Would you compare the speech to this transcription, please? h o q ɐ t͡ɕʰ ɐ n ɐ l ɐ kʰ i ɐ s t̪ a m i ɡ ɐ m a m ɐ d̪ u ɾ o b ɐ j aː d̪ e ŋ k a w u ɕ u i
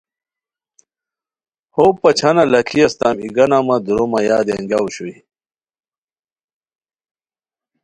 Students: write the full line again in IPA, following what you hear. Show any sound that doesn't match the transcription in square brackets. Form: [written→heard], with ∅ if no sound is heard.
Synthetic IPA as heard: h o [q→p] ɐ t͡ɕʰ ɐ n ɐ l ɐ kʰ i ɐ s t̪ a m i ɡ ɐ [m→n] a m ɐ d̪ u ɾ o [b→m] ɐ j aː d̪ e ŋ [k→ɡ] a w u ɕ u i